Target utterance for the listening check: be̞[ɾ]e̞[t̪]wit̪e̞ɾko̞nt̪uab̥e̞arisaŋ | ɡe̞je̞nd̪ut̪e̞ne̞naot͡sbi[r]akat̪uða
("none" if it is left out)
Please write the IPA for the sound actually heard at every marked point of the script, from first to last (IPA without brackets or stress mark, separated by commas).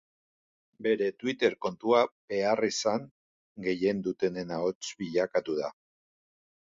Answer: ɾ, t̪, ʎ